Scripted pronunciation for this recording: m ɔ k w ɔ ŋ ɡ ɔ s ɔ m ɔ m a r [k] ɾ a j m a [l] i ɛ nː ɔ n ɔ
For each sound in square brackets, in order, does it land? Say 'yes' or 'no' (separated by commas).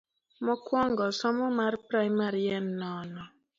no, no